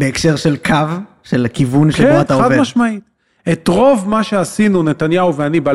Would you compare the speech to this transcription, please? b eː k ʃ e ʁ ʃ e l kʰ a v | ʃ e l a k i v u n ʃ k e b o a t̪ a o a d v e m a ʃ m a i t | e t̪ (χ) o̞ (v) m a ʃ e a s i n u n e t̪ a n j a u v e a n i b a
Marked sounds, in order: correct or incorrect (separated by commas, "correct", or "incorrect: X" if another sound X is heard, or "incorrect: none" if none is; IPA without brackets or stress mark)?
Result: incorrect: ʁ, correct